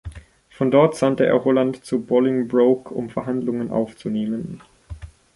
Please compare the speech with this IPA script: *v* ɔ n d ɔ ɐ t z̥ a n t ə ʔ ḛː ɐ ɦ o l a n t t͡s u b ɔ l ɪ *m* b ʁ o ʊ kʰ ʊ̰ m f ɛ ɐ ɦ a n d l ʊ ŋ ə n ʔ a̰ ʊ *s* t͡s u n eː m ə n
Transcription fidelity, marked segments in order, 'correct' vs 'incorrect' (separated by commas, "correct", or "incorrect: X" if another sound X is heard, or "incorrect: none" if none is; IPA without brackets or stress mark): incorrect: f, incorrect: ŋ, incorrect: f